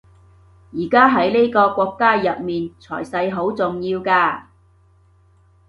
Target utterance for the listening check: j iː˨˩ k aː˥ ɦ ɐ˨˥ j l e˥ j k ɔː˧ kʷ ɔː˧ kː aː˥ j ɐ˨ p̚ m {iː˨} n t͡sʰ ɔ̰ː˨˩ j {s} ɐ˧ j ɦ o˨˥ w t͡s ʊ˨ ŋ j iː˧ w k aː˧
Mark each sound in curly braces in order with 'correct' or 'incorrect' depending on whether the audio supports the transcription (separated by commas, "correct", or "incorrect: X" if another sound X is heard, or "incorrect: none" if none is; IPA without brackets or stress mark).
correct, correct